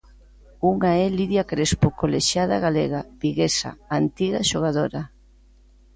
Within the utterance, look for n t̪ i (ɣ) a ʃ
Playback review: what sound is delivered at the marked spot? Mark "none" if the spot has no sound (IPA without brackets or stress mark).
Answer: ɣ